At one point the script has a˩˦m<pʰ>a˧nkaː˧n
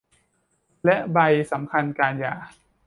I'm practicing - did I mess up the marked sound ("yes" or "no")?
yes